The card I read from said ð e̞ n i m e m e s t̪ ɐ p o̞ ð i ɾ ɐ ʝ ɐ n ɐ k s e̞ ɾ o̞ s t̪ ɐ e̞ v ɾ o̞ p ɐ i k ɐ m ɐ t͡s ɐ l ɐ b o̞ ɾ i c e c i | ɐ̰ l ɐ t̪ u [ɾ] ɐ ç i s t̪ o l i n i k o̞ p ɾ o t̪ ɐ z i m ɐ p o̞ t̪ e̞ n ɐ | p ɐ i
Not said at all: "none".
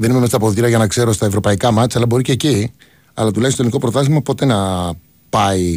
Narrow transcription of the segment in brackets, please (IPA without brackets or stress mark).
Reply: l